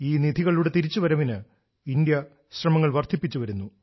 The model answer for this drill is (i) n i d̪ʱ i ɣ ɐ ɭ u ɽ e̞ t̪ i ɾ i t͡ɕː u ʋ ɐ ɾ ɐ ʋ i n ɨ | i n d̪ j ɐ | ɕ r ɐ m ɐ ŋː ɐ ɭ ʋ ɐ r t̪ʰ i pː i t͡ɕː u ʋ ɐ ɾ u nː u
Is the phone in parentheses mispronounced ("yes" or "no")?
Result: yes